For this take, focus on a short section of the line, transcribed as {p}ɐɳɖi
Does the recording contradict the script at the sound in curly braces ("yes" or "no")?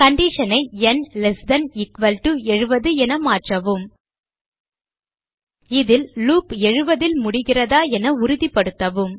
yes